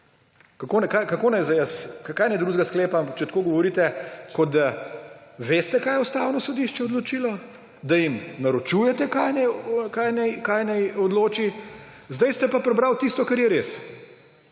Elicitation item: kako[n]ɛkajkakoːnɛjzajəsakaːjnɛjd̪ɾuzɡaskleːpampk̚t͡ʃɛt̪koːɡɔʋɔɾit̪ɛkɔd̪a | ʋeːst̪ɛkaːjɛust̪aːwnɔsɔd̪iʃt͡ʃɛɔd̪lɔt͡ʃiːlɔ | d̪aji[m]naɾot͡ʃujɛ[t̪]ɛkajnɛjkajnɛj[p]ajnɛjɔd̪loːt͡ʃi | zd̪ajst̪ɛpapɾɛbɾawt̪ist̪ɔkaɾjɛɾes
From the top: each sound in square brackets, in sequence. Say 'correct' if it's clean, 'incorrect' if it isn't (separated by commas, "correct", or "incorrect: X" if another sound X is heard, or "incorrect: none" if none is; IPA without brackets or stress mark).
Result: correct, correct, correct, incorrect: k